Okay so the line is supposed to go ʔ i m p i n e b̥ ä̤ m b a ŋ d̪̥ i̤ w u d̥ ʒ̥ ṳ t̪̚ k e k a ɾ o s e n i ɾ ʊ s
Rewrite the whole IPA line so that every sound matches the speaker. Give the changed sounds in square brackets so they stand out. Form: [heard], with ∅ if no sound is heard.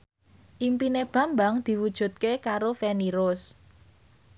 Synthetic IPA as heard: ʔ i m p i n e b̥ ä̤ m b a ŋ d̪̥ i̤ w u d̥ ʒ̥ ṳ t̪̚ k e k a ɾ o [f] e n i ɾ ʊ s